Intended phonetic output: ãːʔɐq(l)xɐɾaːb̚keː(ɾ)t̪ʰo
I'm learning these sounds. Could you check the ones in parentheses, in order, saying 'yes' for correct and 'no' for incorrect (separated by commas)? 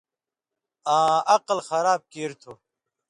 yes, yes